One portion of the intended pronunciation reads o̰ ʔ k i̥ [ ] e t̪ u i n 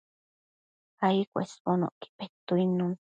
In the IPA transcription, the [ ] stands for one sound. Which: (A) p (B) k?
A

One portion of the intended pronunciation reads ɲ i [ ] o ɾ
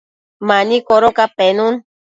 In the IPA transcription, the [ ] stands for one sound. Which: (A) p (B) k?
B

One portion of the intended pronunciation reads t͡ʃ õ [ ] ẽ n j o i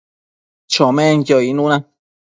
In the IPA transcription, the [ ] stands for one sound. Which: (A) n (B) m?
B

